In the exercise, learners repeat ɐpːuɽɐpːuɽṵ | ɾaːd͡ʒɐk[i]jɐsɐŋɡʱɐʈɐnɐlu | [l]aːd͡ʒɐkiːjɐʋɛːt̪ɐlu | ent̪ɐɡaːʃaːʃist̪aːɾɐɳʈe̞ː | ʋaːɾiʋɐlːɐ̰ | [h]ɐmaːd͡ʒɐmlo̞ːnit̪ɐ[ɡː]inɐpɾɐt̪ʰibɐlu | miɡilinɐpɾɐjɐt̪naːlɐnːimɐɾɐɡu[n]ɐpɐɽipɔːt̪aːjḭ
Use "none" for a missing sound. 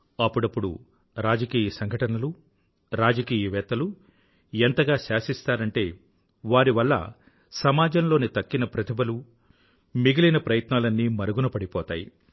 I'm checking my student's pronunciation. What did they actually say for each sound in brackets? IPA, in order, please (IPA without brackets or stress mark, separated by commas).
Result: iː, ɾ, s, kː, n